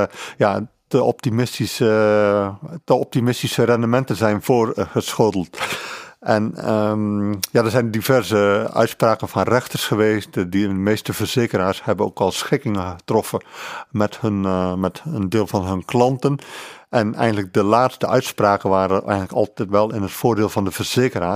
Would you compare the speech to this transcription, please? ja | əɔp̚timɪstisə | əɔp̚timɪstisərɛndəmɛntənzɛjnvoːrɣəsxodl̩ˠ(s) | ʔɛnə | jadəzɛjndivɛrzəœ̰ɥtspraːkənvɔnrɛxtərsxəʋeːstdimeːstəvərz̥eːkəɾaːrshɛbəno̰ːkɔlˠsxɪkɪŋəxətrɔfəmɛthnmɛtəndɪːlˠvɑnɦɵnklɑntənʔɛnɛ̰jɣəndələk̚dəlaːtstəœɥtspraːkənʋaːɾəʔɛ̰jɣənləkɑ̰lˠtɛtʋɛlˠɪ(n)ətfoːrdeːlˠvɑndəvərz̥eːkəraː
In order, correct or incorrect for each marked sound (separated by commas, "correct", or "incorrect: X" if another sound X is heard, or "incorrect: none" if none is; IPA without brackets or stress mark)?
incorrect: t, correct